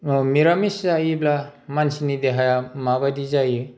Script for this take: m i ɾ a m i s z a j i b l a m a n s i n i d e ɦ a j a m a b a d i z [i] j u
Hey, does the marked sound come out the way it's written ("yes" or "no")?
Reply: no